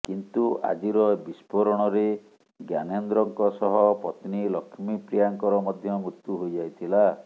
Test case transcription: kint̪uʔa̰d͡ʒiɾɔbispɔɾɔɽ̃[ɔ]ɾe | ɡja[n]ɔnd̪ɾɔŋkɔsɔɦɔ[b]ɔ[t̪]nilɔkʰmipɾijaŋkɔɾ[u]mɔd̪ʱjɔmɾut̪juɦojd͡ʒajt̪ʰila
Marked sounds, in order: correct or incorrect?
correct, correct, incorrect: p, correct, incorrect: ɔ

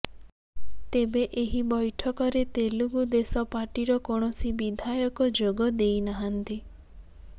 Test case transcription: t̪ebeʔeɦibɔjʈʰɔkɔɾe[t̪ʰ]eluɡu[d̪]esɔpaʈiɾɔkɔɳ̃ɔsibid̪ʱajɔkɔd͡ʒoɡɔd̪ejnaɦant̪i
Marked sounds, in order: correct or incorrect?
incorrect: t̪, correct

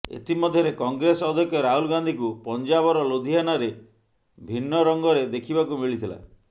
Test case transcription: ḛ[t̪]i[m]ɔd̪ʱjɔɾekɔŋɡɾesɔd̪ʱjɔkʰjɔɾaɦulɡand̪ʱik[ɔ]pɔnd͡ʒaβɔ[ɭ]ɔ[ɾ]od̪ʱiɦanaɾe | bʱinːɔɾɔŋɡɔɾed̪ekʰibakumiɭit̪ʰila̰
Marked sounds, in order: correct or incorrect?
correct, correct, incorrect: u, incorrect: ɾ, incorrect: l

